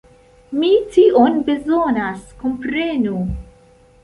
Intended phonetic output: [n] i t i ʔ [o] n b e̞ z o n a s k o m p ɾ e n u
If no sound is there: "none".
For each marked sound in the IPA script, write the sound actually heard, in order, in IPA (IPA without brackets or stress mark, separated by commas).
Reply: m, o